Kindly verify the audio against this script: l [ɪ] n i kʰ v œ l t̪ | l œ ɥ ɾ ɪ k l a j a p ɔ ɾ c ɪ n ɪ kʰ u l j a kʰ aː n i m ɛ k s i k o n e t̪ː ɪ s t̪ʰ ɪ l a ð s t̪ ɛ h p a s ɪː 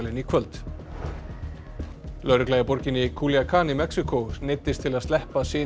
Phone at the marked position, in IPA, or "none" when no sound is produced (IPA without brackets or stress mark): ɪ